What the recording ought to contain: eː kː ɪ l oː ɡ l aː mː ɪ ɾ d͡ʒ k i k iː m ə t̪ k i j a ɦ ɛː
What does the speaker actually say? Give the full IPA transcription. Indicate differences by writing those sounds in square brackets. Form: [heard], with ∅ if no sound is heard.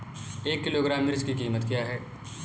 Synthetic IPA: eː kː ɪ l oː ɡ [ɾ] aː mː ɪ ɾ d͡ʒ k i k iː m ə t̪ k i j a ɦ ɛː